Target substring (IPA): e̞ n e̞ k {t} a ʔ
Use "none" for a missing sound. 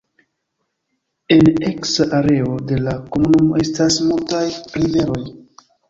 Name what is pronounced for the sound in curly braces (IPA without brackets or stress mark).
s